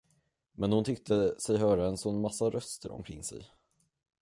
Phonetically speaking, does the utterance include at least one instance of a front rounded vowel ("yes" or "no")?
yes